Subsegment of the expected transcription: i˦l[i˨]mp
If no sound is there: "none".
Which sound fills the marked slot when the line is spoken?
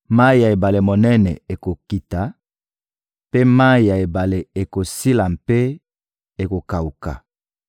a˨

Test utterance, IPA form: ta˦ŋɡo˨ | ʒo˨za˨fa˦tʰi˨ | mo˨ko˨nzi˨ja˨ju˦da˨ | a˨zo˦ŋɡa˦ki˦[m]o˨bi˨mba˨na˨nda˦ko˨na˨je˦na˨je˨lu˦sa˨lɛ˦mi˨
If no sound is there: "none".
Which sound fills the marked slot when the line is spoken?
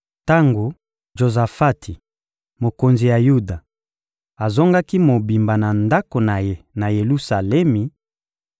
m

